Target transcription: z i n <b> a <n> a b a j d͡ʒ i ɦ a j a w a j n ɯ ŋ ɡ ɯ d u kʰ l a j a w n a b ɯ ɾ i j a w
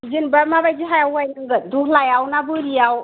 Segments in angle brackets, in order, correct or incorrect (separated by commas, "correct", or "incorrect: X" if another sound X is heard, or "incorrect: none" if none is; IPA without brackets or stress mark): correct, incorrect: m